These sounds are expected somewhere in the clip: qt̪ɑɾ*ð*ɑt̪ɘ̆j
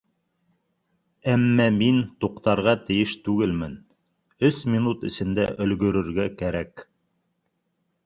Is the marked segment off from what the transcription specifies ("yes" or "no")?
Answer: yes